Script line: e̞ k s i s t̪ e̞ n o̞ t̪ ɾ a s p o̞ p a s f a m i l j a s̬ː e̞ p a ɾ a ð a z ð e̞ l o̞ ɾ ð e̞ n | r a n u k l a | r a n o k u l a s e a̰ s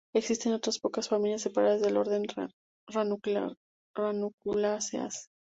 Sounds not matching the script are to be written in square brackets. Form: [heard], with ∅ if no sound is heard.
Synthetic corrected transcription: e̞ k s i s t̪ e̞ n o̞ t̪ ɾ a s p o̞ [k] a s f a m i l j a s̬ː e̞ p a ɾ a ð a z ð e̞ l o̞ ɾ ð e̞ n | r a n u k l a | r a n [u] k u l a s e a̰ s